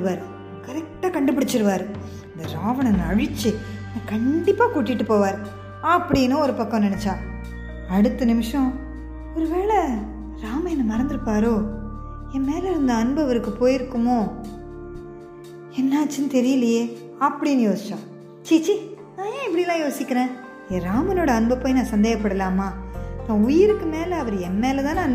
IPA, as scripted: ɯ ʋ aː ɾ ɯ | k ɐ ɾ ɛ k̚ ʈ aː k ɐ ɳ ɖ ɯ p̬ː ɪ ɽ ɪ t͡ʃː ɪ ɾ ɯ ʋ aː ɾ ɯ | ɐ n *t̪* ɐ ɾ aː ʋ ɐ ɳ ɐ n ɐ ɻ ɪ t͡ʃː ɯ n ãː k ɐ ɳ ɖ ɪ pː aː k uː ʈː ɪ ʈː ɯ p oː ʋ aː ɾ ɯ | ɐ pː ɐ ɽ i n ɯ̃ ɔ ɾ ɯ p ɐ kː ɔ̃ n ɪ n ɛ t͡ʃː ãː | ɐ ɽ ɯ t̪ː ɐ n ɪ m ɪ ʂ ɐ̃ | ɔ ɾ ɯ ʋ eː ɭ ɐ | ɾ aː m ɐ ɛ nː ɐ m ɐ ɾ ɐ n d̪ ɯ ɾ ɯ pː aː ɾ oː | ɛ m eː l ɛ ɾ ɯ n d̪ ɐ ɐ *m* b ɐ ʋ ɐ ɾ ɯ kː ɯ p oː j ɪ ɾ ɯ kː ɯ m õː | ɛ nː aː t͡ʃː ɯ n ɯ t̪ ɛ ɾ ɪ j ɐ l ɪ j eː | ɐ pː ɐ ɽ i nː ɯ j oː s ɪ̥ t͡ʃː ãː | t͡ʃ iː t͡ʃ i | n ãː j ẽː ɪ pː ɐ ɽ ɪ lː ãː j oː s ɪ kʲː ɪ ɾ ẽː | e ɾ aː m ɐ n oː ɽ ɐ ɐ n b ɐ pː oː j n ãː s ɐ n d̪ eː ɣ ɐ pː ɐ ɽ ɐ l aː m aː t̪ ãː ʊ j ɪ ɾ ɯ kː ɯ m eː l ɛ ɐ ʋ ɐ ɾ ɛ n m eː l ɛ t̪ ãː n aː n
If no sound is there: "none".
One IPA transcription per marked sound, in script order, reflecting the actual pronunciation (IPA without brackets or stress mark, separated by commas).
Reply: d̪, n